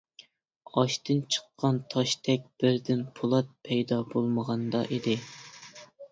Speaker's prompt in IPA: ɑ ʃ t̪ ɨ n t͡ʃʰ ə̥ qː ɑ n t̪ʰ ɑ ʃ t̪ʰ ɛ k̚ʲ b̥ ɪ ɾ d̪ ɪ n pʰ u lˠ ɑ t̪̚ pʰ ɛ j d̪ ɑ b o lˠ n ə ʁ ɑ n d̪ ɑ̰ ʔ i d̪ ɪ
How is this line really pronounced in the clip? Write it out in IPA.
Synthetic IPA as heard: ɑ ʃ t̪ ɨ n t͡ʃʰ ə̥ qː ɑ n t̪ʰ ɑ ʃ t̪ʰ ɛ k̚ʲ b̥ ɪ ɾ d̪ ɪ n pʰ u lˠ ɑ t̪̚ pʰ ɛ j d̪ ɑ b o lˠ m ə ʁ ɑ n d̪ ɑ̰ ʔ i d̪ ɪ